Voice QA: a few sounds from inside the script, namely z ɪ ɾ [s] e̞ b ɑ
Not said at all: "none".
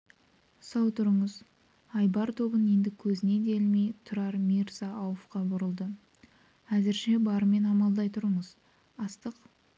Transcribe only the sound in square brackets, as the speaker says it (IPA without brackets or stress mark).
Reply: ʃ